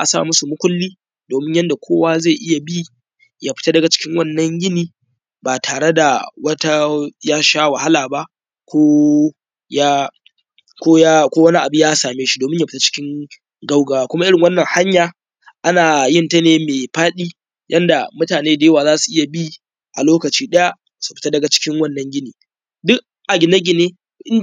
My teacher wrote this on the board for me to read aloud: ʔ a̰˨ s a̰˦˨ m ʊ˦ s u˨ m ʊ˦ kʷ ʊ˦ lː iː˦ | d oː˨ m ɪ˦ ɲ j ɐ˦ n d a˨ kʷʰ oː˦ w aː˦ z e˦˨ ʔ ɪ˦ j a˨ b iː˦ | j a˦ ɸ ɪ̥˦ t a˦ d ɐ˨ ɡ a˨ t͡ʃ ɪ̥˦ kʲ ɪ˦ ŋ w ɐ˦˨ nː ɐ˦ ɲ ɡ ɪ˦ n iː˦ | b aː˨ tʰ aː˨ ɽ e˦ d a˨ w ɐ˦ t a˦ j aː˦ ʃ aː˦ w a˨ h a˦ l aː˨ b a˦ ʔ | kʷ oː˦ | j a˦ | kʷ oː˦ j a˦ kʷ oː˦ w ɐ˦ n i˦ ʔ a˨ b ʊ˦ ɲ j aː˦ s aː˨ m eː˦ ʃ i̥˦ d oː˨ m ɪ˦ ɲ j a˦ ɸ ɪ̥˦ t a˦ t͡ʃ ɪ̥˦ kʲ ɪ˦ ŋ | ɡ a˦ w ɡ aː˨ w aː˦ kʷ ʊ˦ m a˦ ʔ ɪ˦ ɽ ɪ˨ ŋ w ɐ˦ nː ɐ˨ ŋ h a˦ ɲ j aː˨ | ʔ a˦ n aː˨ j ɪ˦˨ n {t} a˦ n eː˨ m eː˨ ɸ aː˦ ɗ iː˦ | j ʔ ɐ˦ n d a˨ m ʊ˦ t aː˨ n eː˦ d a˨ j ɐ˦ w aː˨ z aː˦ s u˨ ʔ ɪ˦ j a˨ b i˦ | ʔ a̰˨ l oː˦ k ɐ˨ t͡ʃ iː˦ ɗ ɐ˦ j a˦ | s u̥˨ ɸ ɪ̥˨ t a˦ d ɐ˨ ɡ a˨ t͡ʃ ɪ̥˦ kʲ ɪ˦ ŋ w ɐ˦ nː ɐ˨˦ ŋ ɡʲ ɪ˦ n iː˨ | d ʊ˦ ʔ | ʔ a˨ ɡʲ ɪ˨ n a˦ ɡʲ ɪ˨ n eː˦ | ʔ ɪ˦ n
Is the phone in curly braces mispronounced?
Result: no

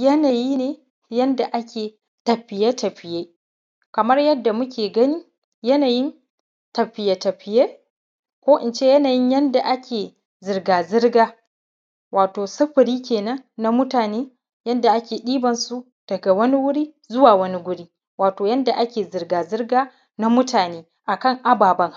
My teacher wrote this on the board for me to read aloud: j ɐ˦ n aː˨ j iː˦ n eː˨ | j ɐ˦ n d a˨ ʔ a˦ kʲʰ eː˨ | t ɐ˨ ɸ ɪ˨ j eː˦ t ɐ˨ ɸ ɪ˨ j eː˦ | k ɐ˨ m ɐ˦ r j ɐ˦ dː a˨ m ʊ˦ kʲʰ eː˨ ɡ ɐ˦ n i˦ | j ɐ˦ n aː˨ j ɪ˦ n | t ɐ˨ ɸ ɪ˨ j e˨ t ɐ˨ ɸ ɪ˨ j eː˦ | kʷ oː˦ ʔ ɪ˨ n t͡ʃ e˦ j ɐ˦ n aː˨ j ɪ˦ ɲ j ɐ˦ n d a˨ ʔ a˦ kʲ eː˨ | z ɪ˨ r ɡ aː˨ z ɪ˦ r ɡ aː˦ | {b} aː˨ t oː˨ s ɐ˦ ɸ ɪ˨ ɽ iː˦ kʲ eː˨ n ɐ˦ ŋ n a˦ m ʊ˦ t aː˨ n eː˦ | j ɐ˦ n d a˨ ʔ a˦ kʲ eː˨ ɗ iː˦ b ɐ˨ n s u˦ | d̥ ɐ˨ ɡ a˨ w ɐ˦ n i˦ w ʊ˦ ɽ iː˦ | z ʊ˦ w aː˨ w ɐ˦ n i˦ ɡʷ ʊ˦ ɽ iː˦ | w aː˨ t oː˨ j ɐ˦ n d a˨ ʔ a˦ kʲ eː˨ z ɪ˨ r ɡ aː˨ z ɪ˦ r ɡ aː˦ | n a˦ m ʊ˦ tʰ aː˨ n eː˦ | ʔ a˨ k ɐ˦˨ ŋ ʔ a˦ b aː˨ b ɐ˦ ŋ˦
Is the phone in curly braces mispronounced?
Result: yes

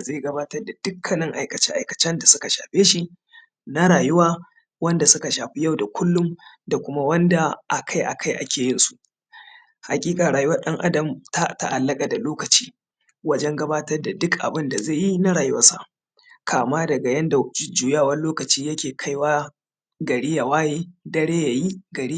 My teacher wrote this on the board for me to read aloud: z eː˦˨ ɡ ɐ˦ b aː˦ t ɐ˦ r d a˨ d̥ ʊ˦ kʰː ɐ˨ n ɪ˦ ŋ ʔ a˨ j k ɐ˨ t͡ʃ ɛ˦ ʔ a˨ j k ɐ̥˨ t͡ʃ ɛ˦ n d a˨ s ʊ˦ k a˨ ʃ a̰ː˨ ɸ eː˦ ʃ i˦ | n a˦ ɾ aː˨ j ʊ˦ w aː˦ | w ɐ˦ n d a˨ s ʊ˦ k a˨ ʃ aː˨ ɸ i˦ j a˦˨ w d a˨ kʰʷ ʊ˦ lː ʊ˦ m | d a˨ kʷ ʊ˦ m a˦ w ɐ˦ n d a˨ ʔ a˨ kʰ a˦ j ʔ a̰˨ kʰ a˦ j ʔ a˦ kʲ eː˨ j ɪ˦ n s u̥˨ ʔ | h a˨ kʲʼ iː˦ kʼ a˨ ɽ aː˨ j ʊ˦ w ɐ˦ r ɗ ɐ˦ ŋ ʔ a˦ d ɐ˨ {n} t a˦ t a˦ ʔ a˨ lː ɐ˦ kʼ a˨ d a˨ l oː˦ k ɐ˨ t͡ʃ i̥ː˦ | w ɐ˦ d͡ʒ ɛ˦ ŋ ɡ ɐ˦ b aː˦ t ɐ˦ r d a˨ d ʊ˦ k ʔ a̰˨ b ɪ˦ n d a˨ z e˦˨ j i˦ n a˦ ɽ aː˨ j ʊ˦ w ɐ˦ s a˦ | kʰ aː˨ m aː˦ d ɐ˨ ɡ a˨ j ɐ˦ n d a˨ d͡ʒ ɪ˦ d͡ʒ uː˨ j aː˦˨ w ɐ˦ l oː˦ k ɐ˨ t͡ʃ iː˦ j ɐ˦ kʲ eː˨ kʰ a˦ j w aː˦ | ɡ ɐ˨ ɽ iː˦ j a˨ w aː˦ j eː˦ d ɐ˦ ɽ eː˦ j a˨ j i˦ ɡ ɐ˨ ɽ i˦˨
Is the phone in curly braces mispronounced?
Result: yes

